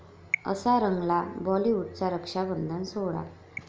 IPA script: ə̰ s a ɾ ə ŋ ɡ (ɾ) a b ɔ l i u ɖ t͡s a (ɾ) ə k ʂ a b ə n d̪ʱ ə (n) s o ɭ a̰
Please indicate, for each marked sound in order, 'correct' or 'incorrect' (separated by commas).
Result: incorrect, correct, correct